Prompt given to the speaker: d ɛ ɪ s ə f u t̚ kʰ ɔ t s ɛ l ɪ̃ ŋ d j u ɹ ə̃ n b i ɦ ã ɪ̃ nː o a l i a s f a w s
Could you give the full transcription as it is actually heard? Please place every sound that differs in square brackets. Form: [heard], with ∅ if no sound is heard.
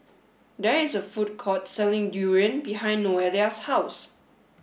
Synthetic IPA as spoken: d ɛ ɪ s ə f u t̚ kʰ ɔ t s ɛ l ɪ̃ ŋ d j u ɹ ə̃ n b i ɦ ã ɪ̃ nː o [ɛ] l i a s [h] a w s